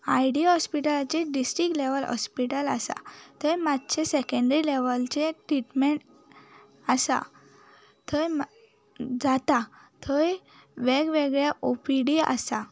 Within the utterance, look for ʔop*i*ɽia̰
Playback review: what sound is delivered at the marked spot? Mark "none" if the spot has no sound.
i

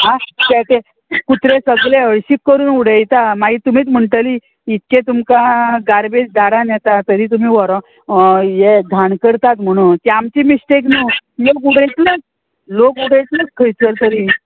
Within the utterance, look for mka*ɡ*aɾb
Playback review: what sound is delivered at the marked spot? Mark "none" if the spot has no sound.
ɡ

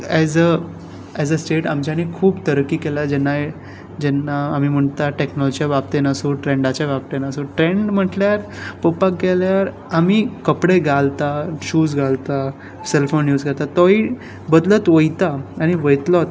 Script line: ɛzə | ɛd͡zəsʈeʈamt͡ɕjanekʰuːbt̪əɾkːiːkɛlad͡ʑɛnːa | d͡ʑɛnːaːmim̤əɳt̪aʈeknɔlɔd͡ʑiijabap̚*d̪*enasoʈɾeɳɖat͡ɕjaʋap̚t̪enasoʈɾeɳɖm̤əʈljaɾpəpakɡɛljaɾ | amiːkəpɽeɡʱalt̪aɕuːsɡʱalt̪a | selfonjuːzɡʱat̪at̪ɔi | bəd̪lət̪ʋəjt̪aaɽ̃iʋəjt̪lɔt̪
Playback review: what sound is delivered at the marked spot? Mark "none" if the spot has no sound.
t̪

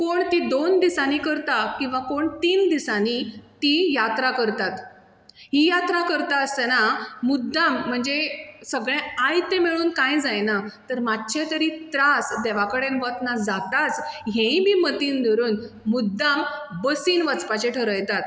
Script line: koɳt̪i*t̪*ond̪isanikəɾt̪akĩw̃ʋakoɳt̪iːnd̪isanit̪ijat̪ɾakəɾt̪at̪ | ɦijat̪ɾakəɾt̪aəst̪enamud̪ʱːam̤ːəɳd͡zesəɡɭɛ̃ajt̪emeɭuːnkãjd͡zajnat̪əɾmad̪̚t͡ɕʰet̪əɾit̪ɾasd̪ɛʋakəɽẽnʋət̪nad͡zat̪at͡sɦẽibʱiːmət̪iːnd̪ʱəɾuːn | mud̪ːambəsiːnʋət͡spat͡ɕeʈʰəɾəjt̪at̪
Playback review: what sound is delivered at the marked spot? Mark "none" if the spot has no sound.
d̪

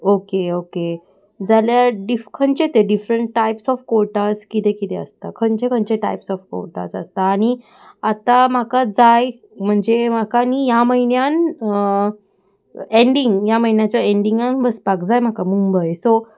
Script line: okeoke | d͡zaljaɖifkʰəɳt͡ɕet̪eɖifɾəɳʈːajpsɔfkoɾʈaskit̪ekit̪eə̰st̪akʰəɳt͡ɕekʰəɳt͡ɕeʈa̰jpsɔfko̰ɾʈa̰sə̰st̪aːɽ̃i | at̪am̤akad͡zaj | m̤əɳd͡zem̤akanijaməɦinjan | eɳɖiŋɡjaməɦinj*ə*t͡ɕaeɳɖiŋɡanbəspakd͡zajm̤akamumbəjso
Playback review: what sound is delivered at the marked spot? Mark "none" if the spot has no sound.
a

